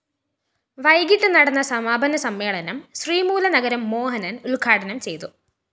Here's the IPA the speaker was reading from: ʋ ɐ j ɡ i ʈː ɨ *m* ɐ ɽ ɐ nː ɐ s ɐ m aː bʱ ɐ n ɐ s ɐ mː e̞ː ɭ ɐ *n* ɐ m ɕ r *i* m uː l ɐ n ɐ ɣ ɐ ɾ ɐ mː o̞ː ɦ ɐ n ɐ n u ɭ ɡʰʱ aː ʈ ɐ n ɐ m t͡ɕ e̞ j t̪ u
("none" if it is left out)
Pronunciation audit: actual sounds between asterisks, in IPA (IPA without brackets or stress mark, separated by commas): n, n, iː